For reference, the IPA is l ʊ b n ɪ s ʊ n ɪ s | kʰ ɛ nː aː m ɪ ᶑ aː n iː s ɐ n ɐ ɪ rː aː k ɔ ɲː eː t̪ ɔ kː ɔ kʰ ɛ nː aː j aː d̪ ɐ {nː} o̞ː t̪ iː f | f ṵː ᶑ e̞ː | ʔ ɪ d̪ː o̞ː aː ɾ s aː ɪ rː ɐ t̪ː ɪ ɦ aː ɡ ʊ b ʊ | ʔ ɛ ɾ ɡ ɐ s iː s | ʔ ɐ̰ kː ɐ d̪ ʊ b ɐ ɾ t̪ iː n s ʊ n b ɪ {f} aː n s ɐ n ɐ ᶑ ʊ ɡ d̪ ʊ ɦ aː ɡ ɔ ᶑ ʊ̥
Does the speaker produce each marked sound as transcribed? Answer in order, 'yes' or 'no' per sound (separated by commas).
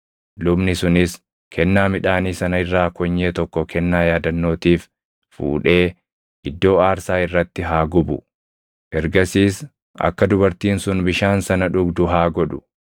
yes, no